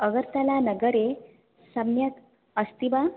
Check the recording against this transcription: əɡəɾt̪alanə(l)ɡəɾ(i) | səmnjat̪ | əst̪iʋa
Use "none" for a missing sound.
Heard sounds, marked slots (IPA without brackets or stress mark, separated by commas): none, e